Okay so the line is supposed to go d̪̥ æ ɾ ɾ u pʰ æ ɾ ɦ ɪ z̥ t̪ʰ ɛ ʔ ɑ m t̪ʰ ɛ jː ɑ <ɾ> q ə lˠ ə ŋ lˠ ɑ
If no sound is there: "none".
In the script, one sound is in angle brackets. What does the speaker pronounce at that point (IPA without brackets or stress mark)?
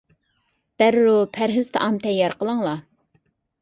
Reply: ɾ